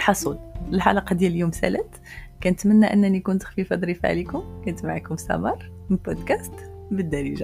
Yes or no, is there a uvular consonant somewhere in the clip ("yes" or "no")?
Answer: yes